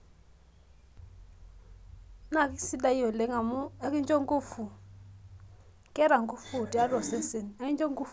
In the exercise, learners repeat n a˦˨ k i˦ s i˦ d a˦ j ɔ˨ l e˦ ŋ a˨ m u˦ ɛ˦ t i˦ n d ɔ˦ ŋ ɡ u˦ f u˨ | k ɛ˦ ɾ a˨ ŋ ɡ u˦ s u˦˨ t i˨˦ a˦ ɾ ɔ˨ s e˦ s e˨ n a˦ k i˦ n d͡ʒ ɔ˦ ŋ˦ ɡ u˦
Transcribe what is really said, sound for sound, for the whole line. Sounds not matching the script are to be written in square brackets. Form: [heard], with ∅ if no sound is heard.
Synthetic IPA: n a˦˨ k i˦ s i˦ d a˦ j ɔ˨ l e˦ ŋ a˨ m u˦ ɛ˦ [k] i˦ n [d͡ʒ] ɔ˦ ŋ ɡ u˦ f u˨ | k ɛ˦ ɾ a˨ ŋ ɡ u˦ [f] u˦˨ t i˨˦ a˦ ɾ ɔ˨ s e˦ s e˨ n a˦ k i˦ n d͡ʒ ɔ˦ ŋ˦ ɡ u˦